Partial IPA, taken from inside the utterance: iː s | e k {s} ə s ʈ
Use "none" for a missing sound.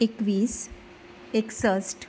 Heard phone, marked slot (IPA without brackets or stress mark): s